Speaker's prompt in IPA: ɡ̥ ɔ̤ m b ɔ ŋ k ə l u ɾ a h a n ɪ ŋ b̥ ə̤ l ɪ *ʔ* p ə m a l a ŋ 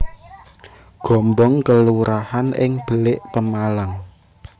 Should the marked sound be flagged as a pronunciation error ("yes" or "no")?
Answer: no